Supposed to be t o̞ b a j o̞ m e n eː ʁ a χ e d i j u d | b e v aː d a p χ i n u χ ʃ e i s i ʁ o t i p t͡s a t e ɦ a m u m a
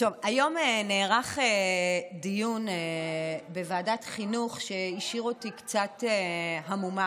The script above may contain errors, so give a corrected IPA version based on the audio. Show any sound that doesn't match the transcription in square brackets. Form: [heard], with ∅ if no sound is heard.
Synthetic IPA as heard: t o̞ [v] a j o̞ m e n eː ʁ a χ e d i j u [n] | b e v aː d a [t] χ i n u χ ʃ e i [ʃ] i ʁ o t i [k] t͡s a t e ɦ a m u m a